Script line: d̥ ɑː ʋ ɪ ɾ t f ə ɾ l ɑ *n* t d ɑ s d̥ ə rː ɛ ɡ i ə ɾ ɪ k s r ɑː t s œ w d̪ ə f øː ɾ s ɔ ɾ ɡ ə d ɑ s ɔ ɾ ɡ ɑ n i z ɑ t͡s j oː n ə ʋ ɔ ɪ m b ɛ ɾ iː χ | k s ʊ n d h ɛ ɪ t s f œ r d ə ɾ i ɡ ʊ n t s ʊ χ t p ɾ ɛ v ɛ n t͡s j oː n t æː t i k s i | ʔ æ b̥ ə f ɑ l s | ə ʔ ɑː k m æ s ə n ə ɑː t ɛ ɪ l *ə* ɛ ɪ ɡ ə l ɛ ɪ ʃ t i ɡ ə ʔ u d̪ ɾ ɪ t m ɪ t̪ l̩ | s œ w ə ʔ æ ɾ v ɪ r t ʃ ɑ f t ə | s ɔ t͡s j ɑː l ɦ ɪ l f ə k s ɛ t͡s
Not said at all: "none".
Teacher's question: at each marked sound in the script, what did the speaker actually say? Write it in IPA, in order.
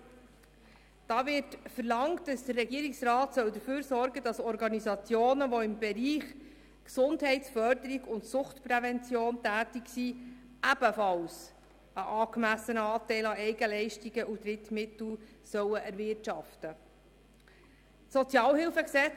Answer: ŋ, ɑ

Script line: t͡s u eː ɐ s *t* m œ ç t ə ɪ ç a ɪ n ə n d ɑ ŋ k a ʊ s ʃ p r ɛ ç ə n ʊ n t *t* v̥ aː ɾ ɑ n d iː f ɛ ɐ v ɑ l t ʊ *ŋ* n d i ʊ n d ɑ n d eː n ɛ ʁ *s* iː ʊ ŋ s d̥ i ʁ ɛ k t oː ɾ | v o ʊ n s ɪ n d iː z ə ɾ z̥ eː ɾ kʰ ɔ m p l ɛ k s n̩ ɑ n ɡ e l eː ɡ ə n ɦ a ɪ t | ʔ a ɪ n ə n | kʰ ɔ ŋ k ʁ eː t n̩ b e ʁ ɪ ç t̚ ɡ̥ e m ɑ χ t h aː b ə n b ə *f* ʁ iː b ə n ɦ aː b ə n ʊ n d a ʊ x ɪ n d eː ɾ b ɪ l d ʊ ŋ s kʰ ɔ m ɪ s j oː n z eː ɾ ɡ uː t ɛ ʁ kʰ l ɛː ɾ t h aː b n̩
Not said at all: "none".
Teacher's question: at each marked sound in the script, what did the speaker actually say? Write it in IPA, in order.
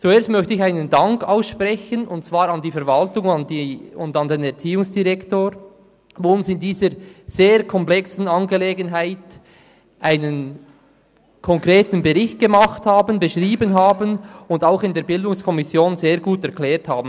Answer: t, t͡s, ŋ, t͡s, ʃ

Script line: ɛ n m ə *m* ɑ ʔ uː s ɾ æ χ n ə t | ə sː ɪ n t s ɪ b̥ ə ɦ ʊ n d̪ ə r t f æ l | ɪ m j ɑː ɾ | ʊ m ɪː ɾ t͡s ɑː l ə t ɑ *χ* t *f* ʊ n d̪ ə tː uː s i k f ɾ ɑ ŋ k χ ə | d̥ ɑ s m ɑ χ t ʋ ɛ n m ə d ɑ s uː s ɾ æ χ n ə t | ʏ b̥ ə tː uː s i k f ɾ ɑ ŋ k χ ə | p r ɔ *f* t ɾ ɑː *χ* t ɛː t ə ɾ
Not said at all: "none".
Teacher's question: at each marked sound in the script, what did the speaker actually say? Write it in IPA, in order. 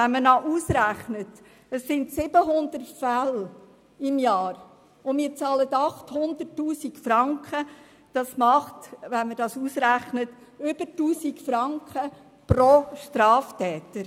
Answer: n, χ, h, ʃ, f

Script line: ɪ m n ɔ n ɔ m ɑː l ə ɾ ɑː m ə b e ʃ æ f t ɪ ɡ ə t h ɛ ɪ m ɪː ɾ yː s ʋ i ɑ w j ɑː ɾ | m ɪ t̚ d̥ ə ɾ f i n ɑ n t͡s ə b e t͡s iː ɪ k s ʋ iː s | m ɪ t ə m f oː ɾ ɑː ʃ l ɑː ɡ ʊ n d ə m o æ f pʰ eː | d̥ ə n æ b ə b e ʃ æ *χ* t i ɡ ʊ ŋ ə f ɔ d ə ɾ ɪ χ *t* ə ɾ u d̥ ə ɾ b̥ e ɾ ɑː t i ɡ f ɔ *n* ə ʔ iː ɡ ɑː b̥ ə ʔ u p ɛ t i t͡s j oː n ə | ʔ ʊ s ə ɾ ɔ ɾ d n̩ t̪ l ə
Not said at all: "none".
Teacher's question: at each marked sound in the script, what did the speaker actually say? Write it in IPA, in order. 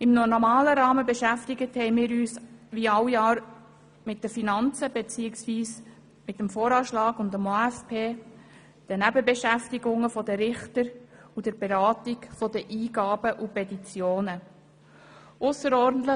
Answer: f, t, d

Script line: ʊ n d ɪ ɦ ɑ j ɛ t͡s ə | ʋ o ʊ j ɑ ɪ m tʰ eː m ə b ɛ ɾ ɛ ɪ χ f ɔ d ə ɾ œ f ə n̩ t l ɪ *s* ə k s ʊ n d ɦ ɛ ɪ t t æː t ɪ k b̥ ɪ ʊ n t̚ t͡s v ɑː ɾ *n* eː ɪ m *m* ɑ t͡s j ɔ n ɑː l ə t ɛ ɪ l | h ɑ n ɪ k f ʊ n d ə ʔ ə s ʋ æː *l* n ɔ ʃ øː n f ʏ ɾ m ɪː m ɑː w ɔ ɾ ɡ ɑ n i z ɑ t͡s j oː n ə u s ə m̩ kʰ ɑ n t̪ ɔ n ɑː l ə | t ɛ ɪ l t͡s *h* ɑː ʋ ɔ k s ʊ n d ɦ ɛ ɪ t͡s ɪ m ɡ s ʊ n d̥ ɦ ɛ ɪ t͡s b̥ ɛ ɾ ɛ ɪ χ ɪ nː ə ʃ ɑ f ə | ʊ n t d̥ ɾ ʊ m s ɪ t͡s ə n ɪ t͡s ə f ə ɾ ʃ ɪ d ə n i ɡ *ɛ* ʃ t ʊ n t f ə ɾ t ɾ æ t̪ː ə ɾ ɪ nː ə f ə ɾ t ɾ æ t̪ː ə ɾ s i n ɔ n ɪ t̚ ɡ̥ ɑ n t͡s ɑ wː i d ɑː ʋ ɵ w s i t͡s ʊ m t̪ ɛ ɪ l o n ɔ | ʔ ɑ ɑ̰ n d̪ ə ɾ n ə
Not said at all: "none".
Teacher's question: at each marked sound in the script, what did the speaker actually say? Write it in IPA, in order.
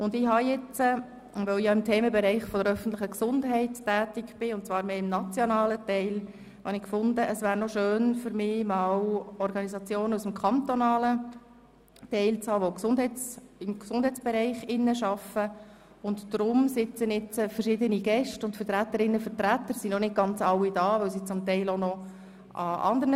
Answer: χ, m, n, ɾ, h, ɛ

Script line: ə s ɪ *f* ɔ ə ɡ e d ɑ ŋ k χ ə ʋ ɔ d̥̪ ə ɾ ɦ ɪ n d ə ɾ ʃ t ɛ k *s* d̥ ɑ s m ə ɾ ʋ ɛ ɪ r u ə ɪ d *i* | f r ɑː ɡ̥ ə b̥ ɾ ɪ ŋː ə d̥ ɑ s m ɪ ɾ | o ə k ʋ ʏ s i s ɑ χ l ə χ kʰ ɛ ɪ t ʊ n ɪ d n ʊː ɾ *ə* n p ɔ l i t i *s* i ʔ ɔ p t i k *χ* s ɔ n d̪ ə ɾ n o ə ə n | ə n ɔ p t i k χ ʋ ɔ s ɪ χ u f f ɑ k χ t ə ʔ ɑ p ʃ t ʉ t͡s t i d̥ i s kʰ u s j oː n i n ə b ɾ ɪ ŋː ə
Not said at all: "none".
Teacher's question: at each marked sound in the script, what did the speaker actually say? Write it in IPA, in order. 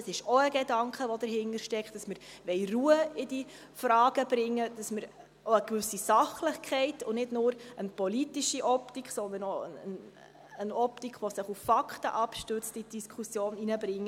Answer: ʃ, χ, i, ə, ʃ, χ

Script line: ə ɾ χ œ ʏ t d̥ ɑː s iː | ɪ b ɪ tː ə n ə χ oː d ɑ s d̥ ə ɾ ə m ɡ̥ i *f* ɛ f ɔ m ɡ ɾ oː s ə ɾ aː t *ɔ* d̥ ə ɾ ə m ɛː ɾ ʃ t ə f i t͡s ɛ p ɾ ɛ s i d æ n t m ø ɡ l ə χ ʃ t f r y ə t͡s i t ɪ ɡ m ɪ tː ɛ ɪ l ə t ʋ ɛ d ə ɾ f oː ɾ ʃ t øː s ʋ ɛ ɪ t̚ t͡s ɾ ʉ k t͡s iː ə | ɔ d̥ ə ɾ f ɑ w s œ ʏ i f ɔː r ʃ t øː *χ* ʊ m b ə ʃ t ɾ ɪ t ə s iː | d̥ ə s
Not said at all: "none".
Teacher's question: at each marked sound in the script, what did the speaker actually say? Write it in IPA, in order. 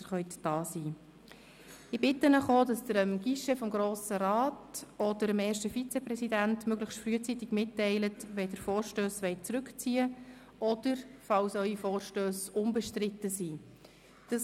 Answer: ʃ, ɔ, s

